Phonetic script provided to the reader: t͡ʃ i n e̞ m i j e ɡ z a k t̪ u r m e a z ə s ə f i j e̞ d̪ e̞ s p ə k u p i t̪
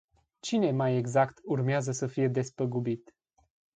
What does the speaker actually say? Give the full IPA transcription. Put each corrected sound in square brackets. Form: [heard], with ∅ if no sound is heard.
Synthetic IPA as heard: t͡ʃ i n e̞ m [a] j e ɡ z a k t̪ u r m e a z ə s ə f i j e̞ d̪ e̞ s p ə [ɡ] u [b] i t̪